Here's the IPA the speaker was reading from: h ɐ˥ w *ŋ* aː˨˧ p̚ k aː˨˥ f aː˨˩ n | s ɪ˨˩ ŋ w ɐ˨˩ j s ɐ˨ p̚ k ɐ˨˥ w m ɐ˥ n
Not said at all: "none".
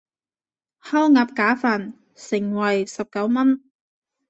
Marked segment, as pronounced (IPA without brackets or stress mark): ŋ